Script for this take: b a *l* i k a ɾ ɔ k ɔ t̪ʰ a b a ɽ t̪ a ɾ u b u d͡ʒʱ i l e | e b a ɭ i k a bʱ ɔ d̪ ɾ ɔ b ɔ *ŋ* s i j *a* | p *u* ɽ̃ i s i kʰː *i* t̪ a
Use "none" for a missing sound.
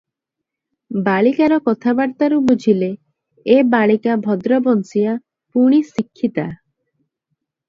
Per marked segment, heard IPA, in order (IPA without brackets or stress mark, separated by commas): ɭ, n, a, u, i